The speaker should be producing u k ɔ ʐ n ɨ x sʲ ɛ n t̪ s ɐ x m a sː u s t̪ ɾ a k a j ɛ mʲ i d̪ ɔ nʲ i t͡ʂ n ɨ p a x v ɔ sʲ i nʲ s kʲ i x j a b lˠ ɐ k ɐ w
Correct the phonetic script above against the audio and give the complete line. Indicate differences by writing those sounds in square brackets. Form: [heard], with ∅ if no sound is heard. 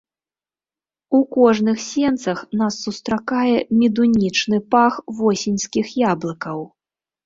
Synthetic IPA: u k ɔ ʐ n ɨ x sʲ ɛ n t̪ s ɐ x [n] a sː u s t̪ ɾ a k a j ɛ mʲ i d̪ [u] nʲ i t͡ʂ n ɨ p a x v ɔ sʲ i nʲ s kʲ i x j a b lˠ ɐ k ɐ w